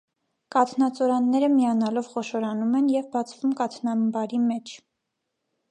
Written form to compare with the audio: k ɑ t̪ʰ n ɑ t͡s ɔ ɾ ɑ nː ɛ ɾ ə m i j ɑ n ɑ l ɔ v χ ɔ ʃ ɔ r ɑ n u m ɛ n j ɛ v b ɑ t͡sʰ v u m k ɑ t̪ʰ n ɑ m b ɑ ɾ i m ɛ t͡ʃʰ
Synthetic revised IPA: k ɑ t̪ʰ n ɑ t͡s ɔ ɾ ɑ nː ɛ ɾ ə m i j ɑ n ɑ l ɔ v χ ɔ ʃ ɔ ɾ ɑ n u m ɛ n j ɛ v b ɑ t͡sʰ v u m k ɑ t̪ʰ n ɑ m b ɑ ɾ i m ɛ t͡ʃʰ